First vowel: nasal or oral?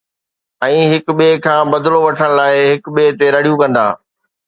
nasal